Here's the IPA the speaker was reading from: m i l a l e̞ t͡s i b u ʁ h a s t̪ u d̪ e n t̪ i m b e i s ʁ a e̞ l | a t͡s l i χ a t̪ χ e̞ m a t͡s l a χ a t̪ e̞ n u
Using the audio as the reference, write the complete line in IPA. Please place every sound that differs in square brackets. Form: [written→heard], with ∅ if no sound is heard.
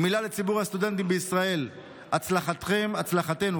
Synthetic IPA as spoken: m i l a l e̞ t͡s i b u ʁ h a s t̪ u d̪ e n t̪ i m b e i s ʁ a e̞ l | a t͡s l [i→a] χ a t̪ χ e̞ m a t͡s l a χ a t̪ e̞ n u